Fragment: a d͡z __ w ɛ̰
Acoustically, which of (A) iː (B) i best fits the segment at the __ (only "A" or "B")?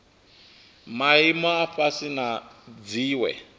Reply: A